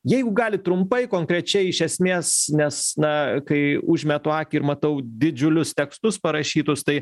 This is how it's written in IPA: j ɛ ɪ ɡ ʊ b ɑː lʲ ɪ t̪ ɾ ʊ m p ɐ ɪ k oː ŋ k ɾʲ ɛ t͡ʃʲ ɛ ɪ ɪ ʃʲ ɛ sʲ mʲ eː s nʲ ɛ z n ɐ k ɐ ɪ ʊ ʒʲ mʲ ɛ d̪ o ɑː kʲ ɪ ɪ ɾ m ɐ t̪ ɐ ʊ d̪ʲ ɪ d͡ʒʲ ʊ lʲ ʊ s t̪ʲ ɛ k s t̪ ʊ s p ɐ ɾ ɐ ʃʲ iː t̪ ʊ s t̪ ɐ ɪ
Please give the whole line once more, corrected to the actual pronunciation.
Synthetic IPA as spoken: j ɛ ɪ ɡ ʊ ɡ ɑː lʲ ɪ t̪ ɾ ʊ m p ɐ ɪ k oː ŋ k ɾʲ ɛ t͡ʃʲ ɛ ɪ ɪ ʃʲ ɛ sʲ mʲ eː s nʲ ɛ s n ɐ k ɐ ɪ ʊ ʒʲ mʲ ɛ t̪ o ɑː kʲ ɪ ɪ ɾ m ɐ t̪ ɐ ʊ d̪ʲ ɪ d͡ʒʲ ʊ lʲ ʊ s t̪ʲ ɛ k s t̪ ʊ s p ɐ ɾ ɐ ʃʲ iː t̪ ʊ s t̪ ɐ ɪ

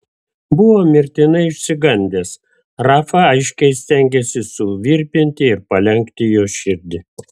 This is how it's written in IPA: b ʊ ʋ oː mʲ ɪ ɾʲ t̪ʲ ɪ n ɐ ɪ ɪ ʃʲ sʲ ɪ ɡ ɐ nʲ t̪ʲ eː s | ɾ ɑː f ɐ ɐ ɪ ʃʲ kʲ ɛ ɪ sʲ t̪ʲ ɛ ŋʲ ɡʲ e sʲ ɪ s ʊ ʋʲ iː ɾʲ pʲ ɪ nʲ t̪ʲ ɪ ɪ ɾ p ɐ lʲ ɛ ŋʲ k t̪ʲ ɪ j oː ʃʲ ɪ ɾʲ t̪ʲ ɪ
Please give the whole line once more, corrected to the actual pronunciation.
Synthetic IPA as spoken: b ʊ ʋ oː mʲ ɪ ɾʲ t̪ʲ ɪ n ɐ ɪ ɪ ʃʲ sʲ ɪ ɡ ɐ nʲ d̪ʲ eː s | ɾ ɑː f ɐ ɐ ɪ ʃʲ kʲ ɛ ɪ sʲ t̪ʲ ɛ ŋʲ ɡʲ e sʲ ɪ s ʊ ʋʲ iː ɾʲ pʲ ɪ nʲ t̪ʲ ɪ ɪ ɾ p ɐ lʲ ɛ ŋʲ k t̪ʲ ɪ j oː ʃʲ ɪ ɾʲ d̪ʲ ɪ

